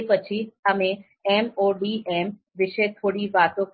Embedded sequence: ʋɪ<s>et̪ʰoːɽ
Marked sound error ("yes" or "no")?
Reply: yes